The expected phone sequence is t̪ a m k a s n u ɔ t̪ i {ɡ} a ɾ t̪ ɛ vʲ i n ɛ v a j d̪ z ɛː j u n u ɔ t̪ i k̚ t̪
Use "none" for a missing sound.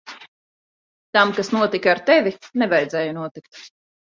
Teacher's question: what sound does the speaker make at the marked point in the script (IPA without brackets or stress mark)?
k